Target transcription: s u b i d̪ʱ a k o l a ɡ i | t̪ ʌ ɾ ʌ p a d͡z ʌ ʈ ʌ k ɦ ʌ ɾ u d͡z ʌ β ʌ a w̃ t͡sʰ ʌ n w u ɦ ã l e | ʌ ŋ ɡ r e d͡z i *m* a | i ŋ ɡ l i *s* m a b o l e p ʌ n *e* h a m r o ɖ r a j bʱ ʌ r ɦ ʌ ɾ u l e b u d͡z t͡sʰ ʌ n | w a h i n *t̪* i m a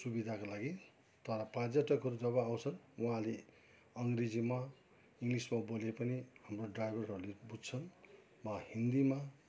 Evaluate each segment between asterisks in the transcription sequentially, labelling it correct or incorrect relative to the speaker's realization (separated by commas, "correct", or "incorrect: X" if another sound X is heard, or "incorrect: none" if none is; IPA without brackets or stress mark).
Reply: correct, correct, incorrect: i, incorrect: d̪